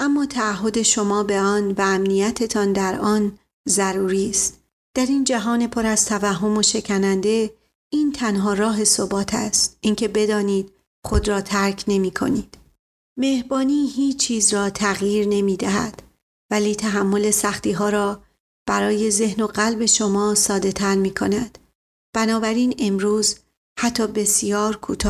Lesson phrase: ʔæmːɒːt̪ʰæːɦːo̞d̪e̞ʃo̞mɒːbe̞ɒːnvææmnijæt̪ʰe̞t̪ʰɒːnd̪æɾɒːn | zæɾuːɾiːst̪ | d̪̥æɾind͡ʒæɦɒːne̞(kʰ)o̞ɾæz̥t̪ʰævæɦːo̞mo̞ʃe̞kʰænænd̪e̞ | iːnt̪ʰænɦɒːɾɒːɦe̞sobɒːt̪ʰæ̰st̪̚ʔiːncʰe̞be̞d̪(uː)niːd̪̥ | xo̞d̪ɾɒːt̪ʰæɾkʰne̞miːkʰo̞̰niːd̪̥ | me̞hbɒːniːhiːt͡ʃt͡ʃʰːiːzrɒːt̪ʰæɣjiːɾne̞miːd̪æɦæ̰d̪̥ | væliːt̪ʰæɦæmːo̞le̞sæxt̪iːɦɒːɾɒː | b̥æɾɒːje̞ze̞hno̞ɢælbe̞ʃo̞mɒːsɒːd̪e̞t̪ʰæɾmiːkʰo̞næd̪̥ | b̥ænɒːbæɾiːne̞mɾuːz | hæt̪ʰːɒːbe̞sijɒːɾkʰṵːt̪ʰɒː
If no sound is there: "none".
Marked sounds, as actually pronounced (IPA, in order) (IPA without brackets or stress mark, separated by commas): pʰ, ɒː